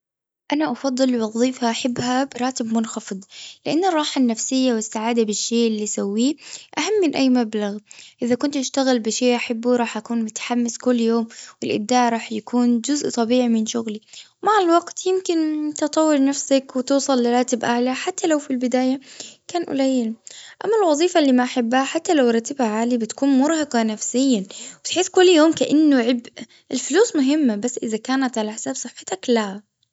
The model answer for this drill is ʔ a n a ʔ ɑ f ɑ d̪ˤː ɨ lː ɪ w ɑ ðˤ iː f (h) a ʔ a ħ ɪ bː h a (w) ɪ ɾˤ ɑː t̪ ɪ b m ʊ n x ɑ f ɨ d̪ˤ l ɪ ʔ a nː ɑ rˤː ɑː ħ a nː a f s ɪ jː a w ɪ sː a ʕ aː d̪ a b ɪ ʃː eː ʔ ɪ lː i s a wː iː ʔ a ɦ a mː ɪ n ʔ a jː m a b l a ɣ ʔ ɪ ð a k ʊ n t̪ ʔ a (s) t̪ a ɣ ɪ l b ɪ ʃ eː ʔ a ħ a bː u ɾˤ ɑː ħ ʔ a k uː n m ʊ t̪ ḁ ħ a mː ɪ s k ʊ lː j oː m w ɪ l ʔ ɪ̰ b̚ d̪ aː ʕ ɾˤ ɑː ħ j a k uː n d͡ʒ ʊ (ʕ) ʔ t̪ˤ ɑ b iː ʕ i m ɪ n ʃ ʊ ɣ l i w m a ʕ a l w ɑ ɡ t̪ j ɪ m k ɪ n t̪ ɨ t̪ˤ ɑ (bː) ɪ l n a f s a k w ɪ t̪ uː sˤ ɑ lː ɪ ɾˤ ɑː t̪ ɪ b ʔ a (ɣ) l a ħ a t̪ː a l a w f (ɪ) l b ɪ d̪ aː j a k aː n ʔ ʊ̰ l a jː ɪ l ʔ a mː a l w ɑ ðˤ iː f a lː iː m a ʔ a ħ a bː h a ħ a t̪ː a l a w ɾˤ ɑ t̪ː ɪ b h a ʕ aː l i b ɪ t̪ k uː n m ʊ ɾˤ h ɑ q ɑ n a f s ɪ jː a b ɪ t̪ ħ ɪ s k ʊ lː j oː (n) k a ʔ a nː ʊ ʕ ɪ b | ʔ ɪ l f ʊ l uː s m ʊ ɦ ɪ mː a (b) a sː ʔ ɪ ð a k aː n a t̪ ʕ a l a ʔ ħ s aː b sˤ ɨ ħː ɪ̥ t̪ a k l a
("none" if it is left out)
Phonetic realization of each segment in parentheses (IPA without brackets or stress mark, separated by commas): h, b, ʃ, z, wː, ʕ, i, m, b